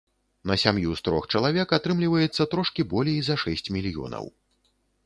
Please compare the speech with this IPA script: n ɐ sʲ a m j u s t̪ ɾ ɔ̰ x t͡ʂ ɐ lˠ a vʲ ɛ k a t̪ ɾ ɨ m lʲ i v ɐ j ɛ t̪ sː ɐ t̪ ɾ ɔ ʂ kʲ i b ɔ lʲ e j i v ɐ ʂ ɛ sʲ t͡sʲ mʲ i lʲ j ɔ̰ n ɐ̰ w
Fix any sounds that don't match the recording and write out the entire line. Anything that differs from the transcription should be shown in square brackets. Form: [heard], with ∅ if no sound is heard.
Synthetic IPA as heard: n ɐ sʲ a m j u s t̪ ɾ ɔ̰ x t͡ʂ ɐ lˠ a vʲ ɛ k a t̪ ɾ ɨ m lʲ i v ɐ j ɛ t̪ sː ɐ t̪ ɾ ɔ ʂ kʲ i b ɔ lʲ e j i [z] ɐ ʂ ɛ sʲ t͡sʲ mʲ i lʲ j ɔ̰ n ɐ̰ w